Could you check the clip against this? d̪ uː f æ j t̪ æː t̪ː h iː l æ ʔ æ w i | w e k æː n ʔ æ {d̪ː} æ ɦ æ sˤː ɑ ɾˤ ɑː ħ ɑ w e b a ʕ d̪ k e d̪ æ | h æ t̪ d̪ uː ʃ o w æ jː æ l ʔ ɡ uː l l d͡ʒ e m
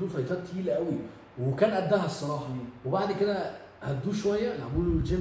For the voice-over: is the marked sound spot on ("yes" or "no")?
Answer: yes